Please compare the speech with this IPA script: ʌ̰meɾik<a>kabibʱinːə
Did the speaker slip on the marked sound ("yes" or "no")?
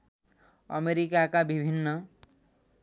no